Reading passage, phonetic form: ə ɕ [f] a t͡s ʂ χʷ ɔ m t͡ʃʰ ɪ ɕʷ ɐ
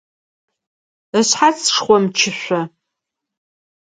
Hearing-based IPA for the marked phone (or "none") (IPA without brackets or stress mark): ħ